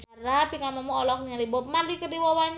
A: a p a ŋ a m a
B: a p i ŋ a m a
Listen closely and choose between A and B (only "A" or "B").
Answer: B